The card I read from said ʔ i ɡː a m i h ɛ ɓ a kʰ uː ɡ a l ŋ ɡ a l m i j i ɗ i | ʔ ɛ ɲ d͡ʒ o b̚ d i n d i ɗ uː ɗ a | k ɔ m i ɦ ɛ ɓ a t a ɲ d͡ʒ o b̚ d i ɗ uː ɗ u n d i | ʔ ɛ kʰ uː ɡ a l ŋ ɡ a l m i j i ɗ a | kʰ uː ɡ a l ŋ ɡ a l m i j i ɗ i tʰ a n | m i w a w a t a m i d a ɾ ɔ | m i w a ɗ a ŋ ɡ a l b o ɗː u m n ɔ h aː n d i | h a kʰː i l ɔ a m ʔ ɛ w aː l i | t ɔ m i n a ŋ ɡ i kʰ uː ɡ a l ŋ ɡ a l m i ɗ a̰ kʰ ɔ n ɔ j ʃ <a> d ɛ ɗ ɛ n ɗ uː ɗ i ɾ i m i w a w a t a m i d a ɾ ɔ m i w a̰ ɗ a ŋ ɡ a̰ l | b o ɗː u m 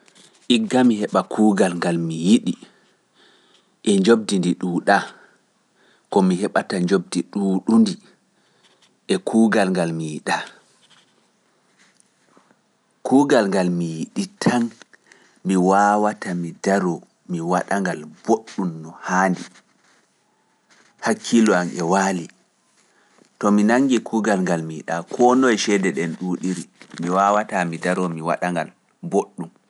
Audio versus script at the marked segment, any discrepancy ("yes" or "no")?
yes